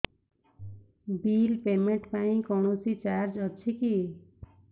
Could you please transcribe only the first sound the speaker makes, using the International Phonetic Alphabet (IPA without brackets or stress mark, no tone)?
b